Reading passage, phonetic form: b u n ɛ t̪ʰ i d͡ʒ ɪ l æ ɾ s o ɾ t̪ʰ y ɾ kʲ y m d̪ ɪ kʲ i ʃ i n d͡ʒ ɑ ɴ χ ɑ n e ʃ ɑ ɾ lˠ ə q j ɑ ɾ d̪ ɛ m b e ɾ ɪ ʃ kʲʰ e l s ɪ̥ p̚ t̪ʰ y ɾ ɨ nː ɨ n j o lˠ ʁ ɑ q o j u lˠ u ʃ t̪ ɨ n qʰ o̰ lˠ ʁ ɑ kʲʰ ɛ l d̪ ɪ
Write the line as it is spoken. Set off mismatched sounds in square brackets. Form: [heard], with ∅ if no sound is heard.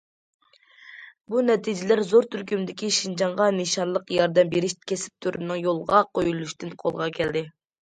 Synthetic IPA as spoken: b u n ɛ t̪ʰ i d͡ʒ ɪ l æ ɾ [z] o ɾ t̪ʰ y ɾ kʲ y m d̪ ɪ kʲ i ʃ i n d͡ʒ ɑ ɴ [ʁ] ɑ n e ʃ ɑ ɾ lˠ ə q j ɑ ɾ d̪ ɛ m b e ɾ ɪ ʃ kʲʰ e [∅] s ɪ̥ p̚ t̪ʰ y ɾ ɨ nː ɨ [ŋ] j o lˠ ʁ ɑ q o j u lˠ u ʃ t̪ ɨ n qʰ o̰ lˠ ʁ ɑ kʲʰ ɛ l d̪ ɪ